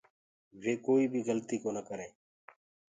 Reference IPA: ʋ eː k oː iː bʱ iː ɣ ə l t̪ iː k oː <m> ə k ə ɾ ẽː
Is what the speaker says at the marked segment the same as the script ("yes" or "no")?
no